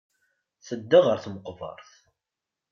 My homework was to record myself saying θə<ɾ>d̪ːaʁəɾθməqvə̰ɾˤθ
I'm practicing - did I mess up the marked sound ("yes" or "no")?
yes